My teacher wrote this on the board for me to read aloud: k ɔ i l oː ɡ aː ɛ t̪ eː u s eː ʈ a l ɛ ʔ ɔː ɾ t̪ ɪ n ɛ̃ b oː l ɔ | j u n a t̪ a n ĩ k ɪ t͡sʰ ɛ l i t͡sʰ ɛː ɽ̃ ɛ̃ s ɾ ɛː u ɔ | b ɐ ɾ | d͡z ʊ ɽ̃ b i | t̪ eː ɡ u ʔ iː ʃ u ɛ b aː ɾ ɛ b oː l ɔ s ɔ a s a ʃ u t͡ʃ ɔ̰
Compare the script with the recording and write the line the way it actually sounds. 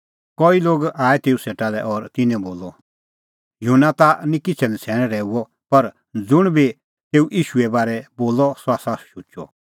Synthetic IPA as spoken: k ɔ i l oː ɡ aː ɛ t̪ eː u s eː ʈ a l ɛ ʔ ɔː ɾ t̪ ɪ n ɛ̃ b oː l ɔ | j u n a t̪ a n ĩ k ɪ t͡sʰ ɛ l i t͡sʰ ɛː ɽ̃ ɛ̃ ɾ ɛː u ɔ | p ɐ ɾ | d͡z ʊ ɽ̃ b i | t̪ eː u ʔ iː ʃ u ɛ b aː ɾ ɛ b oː l ɔ s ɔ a s a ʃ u t͡ʃ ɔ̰

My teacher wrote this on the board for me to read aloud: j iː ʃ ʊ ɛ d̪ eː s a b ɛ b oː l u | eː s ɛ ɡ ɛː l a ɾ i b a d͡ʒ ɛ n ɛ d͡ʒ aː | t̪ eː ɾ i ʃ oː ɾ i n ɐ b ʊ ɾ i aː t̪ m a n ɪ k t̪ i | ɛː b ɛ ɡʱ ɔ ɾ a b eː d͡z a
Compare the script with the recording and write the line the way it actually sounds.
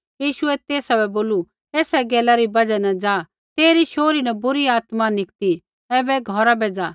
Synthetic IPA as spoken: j iː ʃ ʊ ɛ t̪ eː s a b ɛ b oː l u | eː s ɛ ɡ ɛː l a ɾ i b ɐ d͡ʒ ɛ n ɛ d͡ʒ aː | t̪ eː ɾ i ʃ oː ɾ i n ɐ b ʊ ɾ i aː t̪ m a n ɪ k t̪ i | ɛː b ɛ ɡʱ ɔ ɾ a b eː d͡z a

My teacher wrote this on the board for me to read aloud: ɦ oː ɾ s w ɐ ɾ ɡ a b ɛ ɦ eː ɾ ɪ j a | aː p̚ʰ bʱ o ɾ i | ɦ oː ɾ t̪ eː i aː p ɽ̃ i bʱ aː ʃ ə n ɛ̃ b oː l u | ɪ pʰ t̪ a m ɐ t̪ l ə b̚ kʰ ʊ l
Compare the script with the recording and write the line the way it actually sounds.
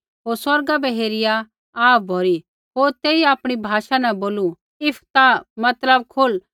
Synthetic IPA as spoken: ɦ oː ɾ s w ɐ ɾ ɡ a b ɛ ɦ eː ɾ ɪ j a | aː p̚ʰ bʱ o ɾ i | ɦ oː ɾ t̪ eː i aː p ɽ̃ i bʱ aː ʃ a n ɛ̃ b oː l u | ɪ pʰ t̪ a m ɐ t̪ l ə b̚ kʰ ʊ l

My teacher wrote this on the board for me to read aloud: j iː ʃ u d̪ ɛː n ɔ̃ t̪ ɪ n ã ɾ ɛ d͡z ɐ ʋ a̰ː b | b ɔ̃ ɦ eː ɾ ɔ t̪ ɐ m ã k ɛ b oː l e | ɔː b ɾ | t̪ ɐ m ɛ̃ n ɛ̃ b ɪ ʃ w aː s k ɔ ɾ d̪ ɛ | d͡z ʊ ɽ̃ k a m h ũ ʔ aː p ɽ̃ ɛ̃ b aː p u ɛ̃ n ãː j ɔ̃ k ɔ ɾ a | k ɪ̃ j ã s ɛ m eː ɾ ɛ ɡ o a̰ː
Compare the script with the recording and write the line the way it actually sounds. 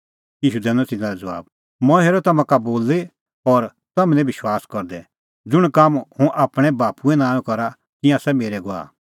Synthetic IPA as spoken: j iː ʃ u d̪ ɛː n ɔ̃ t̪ ɪ n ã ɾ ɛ d͡z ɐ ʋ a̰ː b | m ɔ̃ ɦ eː ɾ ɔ t̪ ɐ m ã k a b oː l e | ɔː ɾ | t̪ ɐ m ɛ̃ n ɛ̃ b ɪ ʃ w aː s k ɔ ɾ d̪ ɛ | d͡z ʊ ɽ̃ k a m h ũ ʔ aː p ɽ̃ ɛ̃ b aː p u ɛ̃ n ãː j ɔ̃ k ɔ ɾ a | k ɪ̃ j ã s ɛ m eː ɾ ɛ ɡ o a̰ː

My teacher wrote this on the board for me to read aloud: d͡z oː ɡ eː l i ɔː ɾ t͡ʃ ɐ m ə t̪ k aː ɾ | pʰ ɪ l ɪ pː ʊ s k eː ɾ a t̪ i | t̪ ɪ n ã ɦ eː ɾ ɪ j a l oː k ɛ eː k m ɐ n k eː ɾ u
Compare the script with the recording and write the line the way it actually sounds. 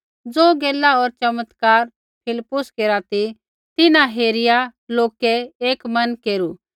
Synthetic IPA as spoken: d͡z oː ɡ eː l a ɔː ɾ t͡ʃ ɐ m ə t̪ k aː ɾ | pʰ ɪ l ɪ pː ʊ s k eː ɾ a t̪ i | t̪ ɪ n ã ɦ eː ɾ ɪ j a l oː k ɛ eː k m ɐ n k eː ɾ u

